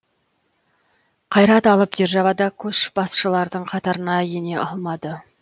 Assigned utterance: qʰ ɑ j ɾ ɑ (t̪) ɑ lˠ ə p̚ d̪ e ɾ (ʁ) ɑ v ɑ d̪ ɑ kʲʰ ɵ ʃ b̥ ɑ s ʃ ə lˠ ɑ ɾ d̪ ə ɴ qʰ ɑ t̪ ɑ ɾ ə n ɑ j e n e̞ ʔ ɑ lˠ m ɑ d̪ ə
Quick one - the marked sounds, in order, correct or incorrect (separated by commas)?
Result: correct, incorrect